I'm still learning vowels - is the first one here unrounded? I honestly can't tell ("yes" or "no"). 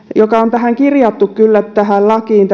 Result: no